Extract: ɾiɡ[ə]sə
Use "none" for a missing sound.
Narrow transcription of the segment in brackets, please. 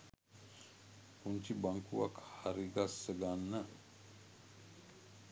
a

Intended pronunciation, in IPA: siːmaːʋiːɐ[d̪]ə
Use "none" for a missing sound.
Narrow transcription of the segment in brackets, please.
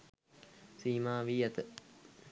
t̪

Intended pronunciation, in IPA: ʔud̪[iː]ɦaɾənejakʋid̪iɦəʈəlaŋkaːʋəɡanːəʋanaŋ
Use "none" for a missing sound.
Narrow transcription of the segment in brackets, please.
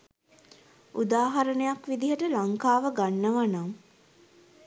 aː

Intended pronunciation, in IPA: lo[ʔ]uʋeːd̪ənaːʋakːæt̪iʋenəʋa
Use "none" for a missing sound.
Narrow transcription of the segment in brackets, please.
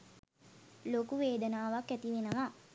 k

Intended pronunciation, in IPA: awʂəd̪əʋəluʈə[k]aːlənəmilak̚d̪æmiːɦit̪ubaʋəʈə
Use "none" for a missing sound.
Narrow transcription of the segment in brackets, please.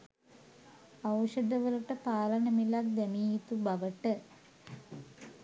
p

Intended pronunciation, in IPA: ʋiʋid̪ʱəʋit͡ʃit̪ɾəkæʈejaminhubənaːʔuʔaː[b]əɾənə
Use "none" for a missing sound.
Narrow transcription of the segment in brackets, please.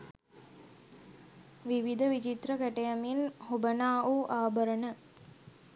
b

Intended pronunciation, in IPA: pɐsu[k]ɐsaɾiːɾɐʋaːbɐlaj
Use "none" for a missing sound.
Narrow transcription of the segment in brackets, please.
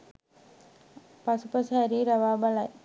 p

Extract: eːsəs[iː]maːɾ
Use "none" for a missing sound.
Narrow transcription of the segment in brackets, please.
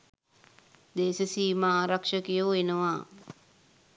iː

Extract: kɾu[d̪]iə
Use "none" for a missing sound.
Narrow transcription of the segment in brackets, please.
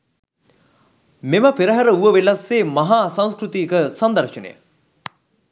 t̪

